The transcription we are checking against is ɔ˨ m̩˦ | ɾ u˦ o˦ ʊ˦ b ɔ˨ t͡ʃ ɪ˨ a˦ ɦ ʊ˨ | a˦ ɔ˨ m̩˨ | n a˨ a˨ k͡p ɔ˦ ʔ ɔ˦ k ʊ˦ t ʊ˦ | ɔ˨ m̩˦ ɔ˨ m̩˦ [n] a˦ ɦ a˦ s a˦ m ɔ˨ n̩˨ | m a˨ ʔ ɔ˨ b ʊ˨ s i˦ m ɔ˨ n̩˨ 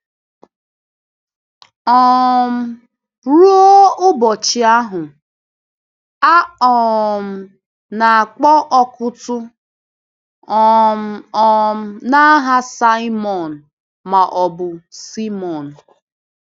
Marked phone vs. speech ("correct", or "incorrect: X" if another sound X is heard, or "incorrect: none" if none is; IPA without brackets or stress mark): correct